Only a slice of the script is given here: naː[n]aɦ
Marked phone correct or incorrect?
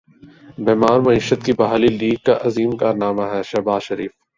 incorrect